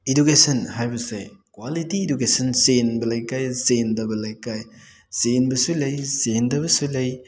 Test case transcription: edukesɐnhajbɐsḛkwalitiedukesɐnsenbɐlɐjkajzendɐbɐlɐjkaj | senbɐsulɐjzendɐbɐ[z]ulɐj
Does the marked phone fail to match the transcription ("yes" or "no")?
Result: yes